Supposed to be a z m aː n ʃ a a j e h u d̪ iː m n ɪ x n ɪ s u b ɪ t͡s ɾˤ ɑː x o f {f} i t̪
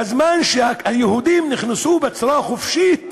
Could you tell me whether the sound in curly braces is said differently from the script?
yes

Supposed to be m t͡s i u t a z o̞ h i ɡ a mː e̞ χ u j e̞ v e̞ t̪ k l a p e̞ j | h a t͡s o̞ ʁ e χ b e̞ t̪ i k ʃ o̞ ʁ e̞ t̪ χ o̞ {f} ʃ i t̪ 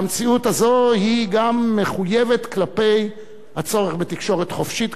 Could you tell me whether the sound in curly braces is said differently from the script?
no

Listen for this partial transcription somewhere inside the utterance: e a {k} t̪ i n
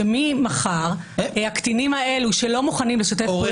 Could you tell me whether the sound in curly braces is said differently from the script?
no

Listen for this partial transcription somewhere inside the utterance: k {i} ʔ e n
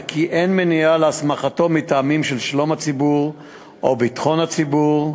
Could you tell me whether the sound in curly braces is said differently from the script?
no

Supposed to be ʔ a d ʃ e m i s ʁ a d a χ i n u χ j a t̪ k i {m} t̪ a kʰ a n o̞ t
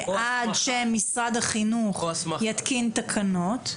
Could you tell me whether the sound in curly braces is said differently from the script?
yes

